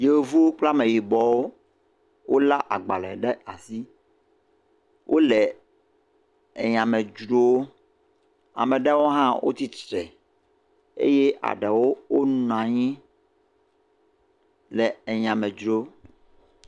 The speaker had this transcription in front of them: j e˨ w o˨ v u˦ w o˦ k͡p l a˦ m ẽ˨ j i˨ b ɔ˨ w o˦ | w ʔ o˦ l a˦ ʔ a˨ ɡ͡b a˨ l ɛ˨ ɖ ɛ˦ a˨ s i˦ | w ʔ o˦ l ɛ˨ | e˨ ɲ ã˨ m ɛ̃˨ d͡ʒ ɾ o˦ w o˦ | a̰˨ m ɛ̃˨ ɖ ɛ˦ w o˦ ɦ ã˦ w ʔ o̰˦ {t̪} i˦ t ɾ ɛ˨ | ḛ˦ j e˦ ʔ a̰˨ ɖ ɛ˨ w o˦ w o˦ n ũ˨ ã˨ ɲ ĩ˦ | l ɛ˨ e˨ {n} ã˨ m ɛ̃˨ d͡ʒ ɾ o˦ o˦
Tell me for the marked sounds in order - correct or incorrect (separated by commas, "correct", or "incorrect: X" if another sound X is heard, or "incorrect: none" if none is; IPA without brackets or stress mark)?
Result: correct, incorrect: ɲ